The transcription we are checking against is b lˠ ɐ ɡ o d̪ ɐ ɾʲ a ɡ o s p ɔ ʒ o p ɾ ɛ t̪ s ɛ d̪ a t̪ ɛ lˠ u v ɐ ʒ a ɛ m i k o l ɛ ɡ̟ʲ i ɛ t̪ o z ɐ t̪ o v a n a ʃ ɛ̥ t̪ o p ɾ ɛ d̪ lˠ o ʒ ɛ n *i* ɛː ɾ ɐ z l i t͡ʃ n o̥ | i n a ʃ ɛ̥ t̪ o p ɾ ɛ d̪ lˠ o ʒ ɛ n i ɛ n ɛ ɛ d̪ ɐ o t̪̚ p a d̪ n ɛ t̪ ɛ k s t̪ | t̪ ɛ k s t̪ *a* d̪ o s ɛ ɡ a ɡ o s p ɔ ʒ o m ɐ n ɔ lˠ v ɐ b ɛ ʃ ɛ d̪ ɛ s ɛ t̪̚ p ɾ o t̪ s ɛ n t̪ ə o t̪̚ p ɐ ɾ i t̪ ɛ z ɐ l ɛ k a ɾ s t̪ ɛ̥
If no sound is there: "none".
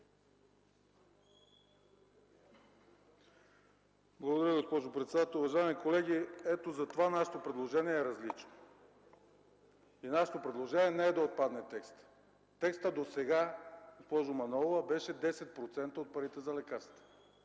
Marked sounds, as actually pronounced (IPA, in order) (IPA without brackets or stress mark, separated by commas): i, ə